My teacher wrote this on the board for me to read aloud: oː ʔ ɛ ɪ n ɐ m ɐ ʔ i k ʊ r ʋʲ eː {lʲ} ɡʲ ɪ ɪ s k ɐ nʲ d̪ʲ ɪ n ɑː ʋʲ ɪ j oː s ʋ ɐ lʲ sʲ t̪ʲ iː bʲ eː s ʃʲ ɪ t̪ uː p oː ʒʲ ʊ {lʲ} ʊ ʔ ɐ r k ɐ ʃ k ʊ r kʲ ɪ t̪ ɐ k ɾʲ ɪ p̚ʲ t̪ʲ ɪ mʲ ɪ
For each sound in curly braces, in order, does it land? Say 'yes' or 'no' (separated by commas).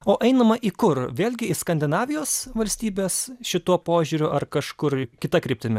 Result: yes, no